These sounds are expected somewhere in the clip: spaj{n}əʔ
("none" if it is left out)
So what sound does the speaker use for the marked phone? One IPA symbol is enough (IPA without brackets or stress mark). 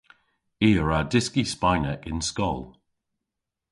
n